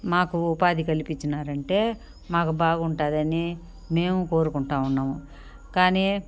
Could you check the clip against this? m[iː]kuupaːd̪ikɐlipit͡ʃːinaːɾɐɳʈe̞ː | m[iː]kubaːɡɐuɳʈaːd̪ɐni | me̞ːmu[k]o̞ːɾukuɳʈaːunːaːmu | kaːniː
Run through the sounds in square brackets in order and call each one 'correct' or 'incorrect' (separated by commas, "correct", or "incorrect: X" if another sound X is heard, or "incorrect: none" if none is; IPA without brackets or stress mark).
incorrect: aː, incorrect: aː, correct